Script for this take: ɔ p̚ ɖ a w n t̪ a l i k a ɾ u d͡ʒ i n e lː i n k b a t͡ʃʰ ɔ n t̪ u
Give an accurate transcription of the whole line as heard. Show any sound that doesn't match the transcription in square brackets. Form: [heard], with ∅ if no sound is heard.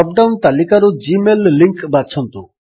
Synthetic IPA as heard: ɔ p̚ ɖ a w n t̪ a l i k a ɾ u d͡ʒ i [m] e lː i [ŋ] k b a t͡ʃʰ ɔ n t̪ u